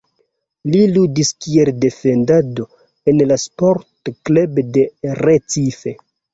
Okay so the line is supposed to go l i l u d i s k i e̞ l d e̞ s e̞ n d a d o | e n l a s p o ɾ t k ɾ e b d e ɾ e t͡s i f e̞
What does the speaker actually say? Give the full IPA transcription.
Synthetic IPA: l i l u d i s k i e̞ l d e̞ f e̞ n d a d o | e n l a s p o ɾ t k l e b d e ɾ e t͡s i f e̞